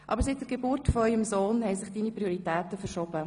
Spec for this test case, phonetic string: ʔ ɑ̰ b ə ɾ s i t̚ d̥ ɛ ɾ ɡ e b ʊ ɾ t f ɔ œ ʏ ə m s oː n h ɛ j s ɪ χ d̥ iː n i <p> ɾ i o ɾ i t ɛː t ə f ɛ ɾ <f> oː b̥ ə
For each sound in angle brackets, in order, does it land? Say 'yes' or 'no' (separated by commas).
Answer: yes, no